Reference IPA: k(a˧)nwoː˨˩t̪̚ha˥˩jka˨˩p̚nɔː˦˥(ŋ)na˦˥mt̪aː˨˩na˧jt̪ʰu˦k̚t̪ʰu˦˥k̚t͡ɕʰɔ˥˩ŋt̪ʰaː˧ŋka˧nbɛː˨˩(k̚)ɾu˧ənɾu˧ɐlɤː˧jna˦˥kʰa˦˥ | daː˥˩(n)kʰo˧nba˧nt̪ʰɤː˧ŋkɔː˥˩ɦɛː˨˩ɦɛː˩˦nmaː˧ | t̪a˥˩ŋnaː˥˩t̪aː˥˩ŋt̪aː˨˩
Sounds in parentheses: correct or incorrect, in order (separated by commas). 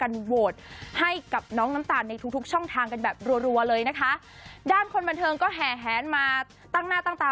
correct, correct, incorrect, correct